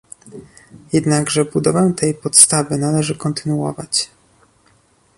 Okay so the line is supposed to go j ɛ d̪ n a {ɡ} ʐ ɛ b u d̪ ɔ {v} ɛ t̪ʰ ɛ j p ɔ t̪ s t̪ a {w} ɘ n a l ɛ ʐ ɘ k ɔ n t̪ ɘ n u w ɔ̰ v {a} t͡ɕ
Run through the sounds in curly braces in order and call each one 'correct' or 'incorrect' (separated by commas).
correct, correct, incorrect, correct